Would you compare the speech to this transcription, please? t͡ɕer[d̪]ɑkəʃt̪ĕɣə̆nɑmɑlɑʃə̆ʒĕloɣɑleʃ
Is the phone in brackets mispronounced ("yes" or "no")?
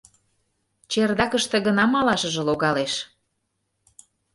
no